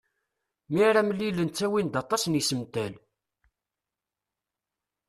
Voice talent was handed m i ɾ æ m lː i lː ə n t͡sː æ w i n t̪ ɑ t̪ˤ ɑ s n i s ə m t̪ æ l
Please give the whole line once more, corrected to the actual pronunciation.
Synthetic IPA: m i ɾ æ m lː i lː ə n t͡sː æ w i n d̪ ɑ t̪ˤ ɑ s n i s ə m t̪ æ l